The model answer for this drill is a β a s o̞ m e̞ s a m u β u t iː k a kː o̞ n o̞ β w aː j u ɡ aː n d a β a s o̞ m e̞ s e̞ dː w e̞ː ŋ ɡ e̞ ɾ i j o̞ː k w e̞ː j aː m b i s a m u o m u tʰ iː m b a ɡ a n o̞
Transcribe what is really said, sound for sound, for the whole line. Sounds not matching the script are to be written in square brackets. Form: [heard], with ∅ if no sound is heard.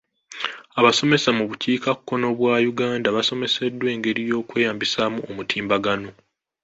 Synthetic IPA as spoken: a β a s o̞ m e̞ s a m u β u [c] iː k a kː o̞ n o̞ β w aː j u ɡ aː n d a β a s o̞ m e̞ s e̞ dː w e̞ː ŋ ɡ e̞ ɾ i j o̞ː k w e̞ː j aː m b i s a m u o m u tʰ iː m b a ɡ a n o̞